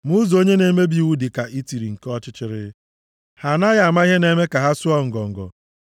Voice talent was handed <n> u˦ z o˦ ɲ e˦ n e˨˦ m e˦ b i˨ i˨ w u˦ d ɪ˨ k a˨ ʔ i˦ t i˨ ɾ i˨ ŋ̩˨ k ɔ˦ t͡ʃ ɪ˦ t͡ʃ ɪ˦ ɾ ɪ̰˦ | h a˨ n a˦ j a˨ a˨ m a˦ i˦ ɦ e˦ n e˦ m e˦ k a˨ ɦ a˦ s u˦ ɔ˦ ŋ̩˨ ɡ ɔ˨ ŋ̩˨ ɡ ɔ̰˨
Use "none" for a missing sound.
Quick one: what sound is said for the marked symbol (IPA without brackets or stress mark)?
m